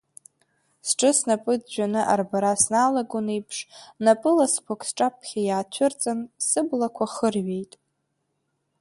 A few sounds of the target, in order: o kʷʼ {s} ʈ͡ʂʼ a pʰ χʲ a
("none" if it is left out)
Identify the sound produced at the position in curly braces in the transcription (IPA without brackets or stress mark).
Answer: s